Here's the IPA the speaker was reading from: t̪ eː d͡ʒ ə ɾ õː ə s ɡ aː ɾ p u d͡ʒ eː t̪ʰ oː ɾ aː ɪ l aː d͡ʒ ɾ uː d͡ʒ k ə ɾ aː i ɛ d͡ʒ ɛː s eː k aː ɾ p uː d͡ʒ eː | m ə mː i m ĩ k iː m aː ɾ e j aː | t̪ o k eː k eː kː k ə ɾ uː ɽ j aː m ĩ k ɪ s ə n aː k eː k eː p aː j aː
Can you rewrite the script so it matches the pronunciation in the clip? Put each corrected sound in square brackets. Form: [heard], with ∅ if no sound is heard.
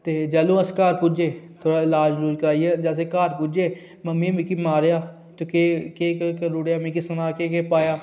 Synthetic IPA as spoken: t̪ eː d͡ʒ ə [l] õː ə s [k] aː ɾ p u d͡ʒ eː t̪ʰ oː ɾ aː ɪ l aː d͡ʒ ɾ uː d͡ʒ k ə ɾ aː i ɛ d͡ʒ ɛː s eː k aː ɾ p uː d͡ʒ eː | m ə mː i m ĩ k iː m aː ɾ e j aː | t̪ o k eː k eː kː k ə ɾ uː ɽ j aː m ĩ k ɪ s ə n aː k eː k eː p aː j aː